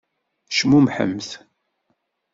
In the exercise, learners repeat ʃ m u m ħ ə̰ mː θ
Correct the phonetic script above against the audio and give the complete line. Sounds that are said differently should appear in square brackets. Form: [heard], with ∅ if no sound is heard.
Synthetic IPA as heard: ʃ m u m ħ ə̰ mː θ